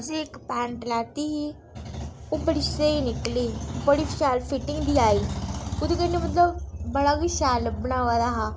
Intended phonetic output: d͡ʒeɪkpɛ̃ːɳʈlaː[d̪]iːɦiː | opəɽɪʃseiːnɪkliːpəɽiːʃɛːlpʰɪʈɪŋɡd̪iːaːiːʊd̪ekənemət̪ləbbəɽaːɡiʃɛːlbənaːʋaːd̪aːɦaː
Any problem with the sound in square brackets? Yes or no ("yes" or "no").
yes